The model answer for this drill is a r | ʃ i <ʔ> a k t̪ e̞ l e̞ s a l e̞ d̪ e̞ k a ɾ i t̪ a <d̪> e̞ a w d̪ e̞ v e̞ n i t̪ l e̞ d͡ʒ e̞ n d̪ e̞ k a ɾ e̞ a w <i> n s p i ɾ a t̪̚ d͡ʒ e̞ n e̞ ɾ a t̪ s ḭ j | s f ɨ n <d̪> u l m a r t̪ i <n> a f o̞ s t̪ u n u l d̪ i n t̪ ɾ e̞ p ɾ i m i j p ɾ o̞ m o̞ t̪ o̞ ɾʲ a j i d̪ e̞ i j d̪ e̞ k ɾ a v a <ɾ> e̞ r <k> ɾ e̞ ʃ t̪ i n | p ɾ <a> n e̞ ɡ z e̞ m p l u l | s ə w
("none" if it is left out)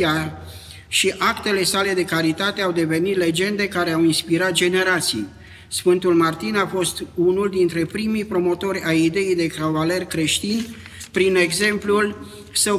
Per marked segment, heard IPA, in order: ʔ, t̪, i, t̪, n, l, k, i

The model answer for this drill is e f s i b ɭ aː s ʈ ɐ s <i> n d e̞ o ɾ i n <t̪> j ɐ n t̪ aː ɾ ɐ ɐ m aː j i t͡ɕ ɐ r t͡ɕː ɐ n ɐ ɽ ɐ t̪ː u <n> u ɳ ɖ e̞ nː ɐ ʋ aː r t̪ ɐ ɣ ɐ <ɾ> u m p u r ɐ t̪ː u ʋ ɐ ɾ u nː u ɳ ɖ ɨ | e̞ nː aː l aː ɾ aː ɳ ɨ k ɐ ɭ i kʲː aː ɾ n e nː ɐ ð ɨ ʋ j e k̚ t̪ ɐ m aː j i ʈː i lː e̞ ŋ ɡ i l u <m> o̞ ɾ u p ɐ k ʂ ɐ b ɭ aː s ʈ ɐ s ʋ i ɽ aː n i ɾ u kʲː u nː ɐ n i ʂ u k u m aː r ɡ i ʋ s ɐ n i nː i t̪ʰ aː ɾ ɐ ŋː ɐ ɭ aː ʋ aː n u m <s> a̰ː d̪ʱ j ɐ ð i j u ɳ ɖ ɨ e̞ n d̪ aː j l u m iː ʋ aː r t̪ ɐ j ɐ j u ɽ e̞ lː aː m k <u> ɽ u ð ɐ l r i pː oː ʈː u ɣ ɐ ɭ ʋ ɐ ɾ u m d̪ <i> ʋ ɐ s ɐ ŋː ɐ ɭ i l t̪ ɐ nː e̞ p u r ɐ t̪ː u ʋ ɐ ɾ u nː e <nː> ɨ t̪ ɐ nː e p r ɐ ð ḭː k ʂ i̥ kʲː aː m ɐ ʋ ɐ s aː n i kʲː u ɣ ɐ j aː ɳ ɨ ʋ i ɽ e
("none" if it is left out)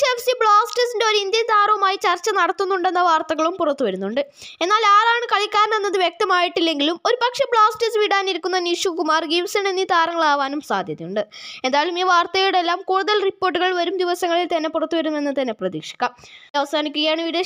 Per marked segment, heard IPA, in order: i, d̪, nː, ɭ, m, s, uː, i, nː

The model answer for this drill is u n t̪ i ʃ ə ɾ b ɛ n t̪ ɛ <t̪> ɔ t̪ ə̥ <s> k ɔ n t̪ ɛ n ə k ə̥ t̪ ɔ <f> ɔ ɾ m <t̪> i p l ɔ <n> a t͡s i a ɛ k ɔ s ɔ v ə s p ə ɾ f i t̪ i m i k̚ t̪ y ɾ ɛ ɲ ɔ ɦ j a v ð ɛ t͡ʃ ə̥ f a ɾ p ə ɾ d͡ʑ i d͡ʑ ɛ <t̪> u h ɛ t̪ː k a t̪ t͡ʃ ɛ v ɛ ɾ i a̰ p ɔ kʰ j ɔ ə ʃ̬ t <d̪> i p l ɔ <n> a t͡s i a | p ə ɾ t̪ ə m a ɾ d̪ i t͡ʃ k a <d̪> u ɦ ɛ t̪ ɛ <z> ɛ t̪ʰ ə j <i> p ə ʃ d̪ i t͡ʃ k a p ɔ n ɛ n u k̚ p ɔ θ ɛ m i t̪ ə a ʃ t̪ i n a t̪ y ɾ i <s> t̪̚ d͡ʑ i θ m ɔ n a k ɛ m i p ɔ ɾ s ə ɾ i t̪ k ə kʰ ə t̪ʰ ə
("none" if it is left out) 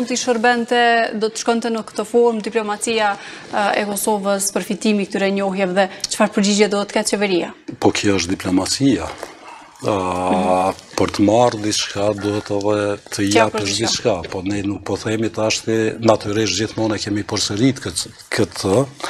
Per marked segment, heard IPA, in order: d̪, ʃ, f, d̪, m, d̪, d̪, m, d̪, ð, a, ʃ

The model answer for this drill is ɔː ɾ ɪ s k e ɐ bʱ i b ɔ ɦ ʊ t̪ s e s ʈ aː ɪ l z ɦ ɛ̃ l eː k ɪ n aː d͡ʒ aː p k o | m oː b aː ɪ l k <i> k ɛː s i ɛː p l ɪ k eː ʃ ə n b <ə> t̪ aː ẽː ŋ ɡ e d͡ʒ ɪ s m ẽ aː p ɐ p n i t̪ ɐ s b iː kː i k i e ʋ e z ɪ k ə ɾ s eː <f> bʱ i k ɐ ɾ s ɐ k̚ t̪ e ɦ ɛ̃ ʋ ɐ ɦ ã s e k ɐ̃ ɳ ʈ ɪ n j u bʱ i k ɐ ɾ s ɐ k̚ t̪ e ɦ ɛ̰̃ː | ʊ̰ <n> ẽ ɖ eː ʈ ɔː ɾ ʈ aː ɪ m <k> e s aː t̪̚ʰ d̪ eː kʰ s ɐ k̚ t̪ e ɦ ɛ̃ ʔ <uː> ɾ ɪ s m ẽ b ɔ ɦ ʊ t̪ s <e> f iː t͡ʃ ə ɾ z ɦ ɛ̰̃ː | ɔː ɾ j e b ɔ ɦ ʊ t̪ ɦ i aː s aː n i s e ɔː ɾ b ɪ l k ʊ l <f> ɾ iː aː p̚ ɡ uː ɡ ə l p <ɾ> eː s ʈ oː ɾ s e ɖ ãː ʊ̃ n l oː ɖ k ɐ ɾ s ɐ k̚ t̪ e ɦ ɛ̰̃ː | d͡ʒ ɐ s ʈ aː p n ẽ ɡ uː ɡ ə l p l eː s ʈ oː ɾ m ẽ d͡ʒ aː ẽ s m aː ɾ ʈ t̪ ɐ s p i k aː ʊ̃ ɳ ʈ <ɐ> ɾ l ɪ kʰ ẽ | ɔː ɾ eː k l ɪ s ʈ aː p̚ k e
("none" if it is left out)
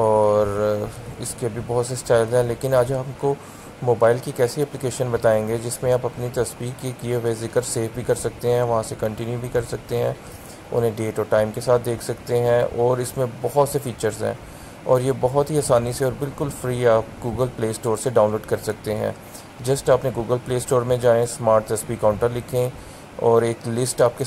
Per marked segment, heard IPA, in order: i, ɐ, f, n, k, ɔː, e, f, l, ə

